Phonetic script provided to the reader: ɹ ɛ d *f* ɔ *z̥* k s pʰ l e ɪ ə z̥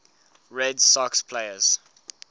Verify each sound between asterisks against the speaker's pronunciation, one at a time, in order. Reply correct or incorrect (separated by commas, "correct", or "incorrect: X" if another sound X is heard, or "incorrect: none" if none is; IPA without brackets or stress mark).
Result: incorrect: s, incorrect: none